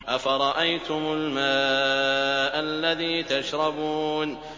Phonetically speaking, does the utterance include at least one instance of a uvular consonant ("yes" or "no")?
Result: no